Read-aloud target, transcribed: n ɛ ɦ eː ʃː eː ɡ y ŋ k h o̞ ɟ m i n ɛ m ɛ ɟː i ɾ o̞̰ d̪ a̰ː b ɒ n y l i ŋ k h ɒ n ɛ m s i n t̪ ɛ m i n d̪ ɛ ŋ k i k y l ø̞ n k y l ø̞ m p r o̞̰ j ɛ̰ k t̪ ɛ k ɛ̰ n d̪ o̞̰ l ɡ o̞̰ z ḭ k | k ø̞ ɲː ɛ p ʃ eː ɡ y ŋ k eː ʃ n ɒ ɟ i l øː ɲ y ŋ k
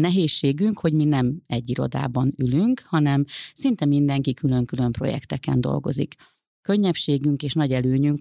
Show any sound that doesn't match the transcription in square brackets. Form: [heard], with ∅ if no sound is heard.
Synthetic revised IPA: n ɛ ɦ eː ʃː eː ɡ y ŋ k h o̞ ɟ m i n ɛ m ɛ ɟː i ɾ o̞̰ d̪ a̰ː b ɒ n y l [y] ŋ k h ɒ n ɛ m s i n t̪ ɛ m i n d̪ ɛ ŋ k i k y l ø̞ [ŋ] k y l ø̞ m p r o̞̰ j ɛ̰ k t̪ ɛ k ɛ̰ n d̪ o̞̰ l ɡ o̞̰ z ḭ k | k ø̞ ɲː ɛ p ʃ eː ɡ y ŋ k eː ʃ n ɒ ɟ [ɛ] l øː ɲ y ŋ k